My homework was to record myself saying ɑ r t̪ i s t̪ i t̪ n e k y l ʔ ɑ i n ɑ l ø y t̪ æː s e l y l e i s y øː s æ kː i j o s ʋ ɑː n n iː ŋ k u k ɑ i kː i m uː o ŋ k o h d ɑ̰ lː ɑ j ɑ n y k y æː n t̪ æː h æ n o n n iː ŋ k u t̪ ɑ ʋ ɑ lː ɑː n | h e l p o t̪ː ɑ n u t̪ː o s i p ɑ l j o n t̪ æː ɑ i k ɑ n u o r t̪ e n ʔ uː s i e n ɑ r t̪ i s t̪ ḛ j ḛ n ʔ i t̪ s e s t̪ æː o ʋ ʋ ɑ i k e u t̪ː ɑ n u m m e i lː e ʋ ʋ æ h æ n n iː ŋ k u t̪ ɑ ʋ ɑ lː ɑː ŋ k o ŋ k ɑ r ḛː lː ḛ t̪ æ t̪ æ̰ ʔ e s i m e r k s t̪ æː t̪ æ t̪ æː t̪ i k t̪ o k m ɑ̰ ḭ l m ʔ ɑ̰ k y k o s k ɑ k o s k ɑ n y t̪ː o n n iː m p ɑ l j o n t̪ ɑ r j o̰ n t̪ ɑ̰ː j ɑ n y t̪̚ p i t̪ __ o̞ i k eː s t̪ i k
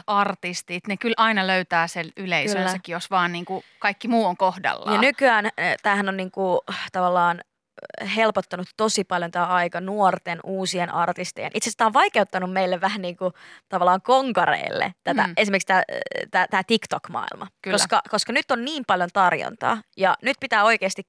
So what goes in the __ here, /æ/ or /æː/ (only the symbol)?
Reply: æː